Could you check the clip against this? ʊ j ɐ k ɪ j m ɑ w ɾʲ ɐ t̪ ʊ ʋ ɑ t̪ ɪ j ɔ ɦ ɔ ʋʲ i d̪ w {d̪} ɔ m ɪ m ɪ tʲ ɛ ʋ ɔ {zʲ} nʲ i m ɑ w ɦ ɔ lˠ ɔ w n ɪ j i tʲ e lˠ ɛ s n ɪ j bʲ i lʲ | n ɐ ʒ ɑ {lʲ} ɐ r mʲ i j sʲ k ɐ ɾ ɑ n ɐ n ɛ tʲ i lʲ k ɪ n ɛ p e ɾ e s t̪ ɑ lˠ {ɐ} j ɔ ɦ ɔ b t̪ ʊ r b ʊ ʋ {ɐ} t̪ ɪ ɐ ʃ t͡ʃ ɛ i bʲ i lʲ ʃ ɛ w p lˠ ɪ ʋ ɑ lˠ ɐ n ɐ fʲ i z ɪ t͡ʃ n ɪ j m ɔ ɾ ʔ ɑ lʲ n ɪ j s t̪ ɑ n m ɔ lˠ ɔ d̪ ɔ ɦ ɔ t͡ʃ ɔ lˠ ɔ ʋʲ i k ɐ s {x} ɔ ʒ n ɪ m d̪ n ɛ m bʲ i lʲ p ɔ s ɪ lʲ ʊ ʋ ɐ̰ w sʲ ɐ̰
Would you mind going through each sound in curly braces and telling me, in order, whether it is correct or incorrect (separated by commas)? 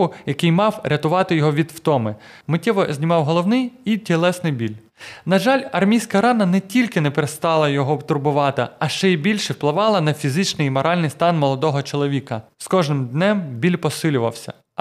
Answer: incorrect, correct, correct, correct, incorrect, incorrect